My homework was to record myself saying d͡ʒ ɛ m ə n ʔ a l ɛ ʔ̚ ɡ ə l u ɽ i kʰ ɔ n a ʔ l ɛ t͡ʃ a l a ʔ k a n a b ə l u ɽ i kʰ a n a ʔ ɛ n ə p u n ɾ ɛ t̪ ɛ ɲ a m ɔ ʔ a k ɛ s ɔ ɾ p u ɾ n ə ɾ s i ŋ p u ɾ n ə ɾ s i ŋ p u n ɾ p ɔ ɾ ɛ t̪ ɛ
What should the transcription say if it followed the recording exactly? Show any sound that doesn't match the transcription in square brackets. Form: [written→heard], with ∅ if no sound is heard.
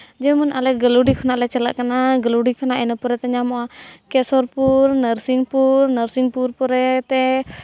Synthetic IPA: d͡ʒ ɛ m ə n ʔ a l ɛ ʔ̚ ɡ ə l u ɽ i kʰ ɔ n a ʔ l ɛ t͡ʃ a l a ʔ k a n a [b→ɡ] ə l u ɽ i kʰ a n a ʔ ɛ n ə p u [n→∅] ɾ ɛ t̪ ɛ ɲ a m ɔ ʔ a k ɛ s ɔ ɾ p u ɾ n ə ɾ s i ŋ p u ɾ n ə ɾ s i ŋ p u [n→∅] ɾ p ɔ ɾ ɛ t̪ ɛ